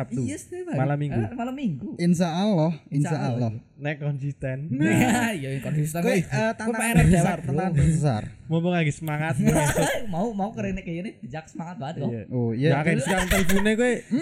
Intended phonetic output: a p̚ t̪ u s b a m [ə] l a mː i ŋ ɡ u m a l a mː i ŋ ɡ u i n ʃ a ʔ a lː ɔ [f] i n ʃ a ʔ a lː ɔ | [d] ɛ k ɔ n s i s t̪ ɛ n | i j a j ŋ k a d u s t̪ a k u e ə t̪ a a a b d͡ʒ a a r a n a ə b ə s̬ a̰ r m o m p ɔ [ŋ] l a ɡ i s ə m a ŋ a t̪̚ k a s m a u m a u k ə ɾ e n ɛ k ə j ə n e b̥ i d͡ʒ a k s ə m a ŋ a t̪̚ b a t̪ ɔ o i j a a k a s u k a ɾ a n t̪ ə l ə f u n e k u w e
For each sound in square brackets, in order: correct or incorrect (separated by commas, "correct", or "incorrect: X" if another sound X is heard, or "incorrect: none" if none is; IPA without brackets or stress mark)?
incorrect: a, incorrect: h, incorrect: n, correct